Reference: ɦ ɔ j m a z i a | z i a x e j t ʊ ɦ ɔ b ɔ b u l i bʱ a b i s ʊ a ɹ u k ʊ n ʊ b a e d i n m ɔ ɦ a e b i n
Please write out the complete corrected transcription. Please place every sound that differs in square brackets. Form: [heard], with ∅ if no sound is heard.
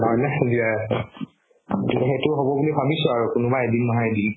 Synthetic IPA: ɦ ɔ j [n] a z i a | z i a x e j t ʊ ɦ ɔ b ɔ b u l i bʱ a b i s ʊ a ɹ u k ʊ n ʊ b a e d i n m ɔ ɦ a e [d] i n